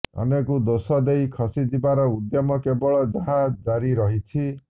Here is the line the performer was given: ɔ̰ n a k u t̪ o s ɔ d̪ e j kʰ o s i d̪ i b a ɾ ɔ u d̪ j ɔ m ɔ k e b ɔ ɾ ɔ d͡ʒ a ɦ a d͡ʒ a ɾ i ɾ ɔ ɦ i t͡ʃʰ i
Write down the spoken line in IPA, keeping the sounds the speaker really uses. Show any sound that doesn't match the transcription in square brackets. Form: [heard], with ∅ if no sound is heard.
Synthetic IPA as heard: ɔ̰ n [e] k u [d̪] o s ɔ d̪ e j kʰ [ɔ] s i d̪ i b a ɾ ɔ u d̪ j ɔ m ɔ k e b ɔ [ɭ] ɔ d͡ʒ a ɦ a d͡ʒ a ɾ i ɾ ɔ ɦ i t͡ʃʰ i